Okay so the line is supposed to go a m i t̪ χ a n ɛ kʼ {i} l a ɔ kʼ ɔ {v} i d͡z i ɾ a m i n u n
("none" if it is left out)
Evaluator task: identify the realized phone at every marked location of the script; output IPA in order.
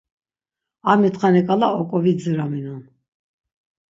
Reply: a, v

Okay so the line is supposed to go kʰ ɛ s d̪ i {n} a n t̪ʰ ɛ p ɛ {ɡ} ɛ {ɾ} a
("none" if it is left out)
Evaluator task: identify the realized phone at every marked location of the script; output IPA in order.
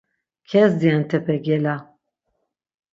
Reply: none, ɡ, l

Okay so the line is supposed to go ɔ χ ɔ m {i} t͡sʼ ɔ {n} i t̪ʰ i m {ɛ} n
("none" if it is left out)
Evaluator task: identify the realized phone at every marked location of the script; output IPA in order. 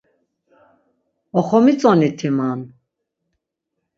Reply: i, n, a

